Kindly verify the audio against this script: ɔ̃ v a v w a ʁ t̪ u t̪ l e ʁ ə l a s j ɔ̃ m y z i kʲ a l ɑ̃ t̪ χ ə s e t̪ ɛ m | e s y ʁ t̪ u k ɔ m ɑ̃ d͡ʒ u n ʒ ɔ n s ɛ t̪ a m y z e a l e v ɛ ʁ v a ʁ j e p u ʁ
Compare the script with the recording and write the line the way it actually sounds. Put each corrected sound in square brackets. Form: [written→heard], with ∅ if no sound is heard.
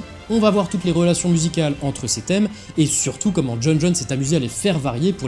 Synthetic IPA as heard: ɔ̃ v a v w a ʁ t̪ u t̪ l e ʁ ə l a s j ɔ̃ m y z i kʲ a l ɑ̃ t̪ χ ə s e t̪ ɛ m | e s y ʁ t̪ u k ɔ m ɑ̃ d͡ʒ [u→ɔ] n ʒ ɔ n s ɛ t̪ a m y z e a l e [v→f] ɛ ʁ v a ʁ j e p u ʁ